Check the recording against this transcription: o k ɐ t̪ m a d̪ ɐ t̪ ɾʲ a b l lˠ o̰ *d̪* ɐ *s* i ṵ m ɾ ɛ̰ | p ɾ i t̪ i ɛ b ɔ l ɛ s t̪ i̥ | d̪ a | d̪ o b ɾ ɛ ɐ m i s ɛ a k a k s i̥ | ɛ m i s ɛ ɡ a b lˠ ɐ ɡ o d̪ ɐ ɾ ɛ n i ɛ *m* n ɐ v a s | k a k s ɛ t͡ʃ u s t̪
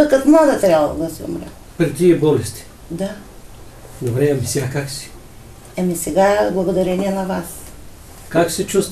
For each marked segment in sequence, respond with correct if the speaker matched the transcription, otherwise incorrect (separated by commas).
correct, correct, incorrect